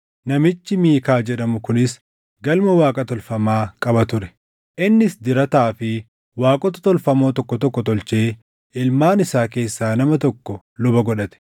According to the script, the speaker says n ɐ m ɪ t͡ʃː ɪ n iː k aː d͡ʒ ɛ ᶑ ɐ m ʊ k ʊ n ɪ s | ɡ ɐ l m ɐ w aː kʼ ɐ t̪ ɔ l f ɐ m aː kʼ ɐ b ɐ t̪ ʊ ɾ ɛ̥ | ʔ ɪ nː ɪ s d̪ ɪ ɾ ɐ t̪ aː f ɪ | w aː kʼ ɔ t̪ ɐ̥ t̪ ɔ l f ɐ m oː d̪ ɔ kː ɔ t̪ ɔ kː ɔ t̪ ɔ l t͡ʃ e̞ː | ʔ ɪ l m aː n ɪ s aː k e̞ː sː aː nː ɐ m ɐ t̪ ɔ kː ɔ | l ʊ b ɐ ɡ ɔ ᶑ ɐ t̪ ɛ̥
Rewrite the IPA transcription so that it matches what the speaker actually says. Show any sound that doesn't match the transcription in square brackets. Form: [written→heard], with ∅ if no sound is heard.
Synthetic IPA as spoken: n ɐ m ɪ t͡ʃː ɪ [n→m] iː k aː d͡ʒ ɛ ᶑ ɐ m ʊ k ʊ n ɪ s | ɡ ɐ l m ɐ w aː kʼ ɐ t̪ ɔ l f ɐ m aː kʼ ɐ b ɐ t̪ ʊ ɾ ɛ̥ | ʔ ɪ nː ɪ s d̪ ɪ ɾ ɐ t̪ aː f ɪ | w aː kʼ ɔ t̪ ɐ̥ t̪ ɔ l f ɐ m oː [d̪→t̪] ɔ kː ɔ t̪ ɔ kː ɔ t̪ ɔ l t͡ʃ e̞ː | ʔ ɪ l m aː n ɪ s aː k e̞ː sː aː [nː→n] ɐ m ɐ t̪ ɔ kː ɔ | l ʊ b ɐ ɡ ɔ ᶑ ɐ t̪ ɛ̥

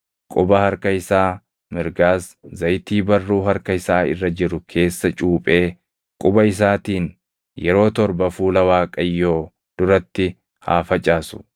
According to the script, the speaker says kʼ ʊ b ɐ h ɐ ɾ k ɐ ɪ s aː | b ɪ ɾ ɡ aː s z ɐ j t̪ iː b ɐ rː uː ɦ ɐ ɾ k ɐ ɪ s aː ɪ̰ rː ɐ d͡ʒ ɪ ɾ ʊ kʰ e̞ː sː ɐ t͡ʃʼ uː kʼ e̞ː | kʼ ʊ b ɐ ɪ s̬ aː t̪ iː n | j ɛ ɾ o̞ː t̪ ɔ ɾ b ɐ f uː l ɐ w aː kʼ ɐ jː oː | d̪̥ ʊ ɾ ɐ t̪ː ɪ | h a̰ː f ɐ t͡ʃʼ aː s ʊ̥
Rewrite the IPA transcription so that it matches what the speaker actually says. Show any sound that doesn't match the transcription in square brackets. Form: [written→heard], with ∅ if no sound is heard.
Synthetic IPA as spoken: kʼ ʊ b ɐ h ɐ ɾ k ɐ ɪ s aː | [b→m] ɪ ɾ ɡ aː s z ɐ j t̪ iː b ɐ rː uː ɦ ɐ ɾ k ɐ ɪ s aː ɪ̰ rː ɐ d͡ʒ ɪ ɾ ʊ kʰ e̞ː sː ɐ t͡ʃʼ uː [kʼ→pʼ] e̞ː | kʼ ʊ b ɐ ɪ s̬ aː t̪ iː n | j ɛ ɾ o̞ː t̪ ɔ ɾ b ɐ f uː l ɐ w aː kʼ ɐ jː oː | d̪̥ ʊ ɾ ɐ t̪ː ɪ | h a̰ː f ɐ t͡ʃʼ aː s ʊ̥

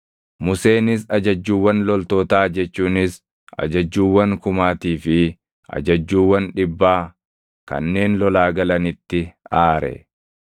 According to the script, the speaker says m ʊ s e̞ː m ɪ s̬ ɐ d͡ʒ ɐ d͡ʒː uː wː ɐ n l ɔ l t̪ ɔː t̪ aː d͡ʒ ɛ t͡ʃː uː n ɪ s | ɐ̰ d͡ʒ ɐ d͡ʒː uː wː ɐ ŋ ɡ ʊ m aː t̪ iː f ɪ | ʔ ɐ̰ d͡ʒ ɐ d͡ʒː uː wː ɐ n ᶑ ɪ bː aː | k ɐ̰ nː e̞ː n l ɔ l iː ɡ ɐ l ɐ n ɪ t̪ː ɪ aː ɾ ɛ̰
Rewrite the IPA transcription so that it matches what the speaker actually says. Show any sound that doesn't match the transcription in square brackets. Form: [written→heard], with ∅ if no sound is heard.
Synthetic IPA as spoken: m ʊ s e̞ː [m→n] ɪ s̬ ɐ d͡ʒ ɐ d͡ʒː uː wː ɐ n l ɔ l t̪ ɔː t̪ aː d͡ʒ ɛ t͡ʃː uː n ɪ s | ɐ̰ d͡ʒ ɐ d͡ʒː uː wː ɐ ŋ [ɡ→k] ʊ m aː t̪ iː f ɪ | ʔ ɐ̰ d͡ʒ ɐ d͡ʒː uː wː ɐ n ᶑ ɪ bː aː | k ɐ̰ nː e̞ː n l ɔ l [iː→aː] ɡ ɐ l ɐ n ɪ t̪ː ɪ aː ɾ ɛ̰

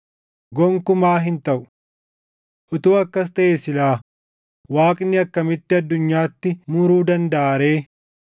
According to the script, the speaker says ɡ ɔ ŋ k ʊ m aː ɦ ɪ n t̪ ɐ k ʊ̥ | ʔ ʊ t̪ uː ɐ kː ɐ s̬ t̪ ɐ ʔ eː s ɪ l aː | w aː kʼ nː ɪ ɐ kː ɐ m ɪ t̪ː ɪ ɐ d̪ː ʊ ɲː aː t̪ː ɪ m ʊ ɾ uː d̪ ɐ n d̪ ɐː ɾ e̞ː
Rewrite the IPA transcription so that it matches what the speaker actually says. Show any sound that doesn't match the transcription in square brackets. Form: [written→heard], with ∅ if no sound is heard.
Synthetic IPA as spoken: ɡ ɔ ŋ k ʊ m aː ɦ ɪ n t̪ ɐ [k→ʔ] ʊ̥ | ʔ ʊ t̪ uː ɐ kː ɐ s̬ t̪ ɐ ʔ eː s ɪ l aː | w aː kʼ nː ɪ ɐ kː ɐ m ɪ t̪ː ɪ ɐ d̪ː ʊ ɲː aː t̪ː ɪ m ʊ ɾ uː d̪ ɐ n d̪ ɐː ɾ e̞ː

